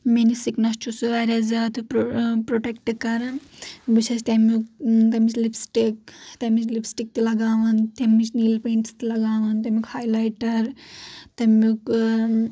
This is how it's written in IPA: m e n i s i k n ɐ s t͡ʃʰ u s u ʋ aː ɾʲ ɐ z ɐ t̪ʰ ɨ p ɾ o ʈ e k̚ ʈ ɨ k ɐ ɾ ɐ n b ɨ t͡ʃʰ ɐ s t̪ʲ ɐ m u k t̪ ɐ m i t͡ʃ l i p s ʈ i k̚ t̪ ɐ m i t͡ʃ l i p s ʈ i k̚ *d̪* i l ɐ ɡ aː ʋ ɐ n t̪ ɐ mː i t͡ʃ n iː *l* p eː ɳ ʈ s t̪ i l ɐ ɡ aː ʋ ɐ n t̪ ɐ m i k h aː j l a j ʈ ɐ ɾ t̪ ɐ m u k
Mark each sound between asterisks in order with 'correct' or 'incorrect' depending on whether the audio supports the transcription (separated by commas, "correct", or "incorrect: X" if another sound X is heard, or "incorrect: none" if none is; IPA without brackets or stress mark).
incorrect: t̪, correct